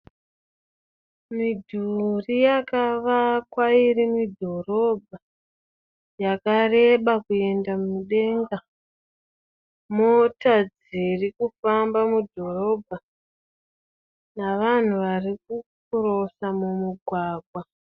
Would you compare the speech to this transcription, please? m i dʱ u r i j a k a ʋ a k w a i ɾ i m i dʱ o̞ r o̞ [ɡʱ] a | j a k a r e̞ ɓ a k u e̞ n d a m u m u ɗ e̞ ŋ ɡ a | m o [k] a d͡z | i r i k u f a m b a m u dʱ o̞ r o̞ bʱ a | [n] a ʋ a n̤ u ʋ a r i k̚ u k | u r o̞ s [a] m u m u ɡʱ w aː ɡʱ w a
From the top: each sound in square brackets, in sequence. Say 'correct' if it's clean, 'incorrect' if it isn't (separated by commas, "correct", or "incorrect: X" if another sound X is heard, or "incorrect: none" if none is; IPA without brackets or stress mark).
incorrect: bʱ, incorrect: t, correct, correct